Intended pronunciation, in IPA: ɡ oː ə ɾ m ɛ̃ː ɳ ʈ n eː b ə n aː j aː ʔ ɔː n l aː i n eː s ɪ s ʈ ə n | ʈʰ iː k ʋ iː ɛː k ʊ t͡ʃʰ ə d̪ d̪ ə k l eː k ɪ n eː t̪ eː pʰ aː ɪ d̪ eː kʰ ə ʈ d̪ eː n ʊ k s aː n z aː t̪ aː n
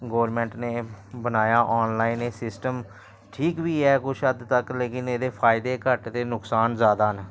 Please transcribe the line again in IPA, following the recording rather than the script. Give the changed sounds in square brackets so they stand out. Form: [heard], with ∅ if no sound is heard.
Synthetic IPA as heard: ɡ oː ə ɾ m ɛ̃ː ɳ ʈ n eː b ə n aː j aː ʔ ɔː n l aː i n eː s ɪ s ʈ ə [m] | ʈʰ iː k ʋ iː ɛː k ʊ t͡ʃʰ ə d̪ [t̪] ə k l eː k ɪ n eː [d̪] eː pʰ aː ɪ d̪ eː [k] ə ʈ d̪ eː n ʊ k s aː n z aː [d̪] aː n